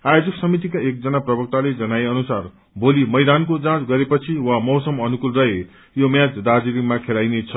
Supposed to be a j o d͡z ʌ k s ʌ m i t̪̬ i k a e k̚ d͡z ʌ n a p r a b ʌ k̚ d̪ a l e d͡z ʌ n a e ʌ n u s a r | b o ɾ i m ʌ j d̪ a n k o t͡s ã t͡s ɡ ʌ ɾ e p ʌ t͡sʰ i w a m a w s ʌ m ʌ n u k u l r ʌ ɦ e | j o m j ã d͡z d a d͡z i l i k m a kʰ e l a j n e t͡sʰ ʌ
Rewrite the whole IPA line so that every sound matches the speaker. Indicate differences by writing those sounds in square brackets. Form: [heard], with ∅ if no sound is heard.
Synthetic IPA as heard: a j o d͡z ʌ k s ʌ m i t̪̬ i k a e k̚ d͡z ʌ n a p r [ʌ] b ʌ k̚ [t̪] a l e d͡z ʌ n a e ʌ n u s a r | b o [l] i m ʌ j d̪ a n k o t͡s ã t͡s ɡ ʌ ɾ e p ʌ t͡sʰ i w a m [ʌ] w s ʌ m ʌ n u k u l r ʌ ɦ e | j o m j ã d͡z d a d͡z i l i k m a kʰ e l a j n e t͡sʰ ʌ